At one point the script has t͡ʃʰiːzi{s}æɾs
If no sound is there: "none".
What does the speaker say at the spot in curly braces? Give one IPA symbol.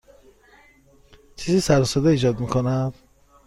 s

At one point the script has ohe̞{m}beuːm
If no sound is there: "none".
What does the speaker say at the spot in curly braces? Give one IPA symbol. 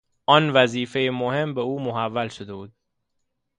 m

